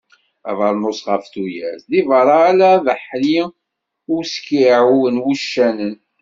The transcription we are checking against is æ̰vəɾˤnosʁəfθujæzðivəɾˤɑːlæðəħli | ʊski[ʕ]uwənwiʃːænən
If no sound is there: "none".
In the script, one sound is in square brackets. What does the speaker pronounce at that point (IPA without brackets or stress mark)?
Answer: ʕ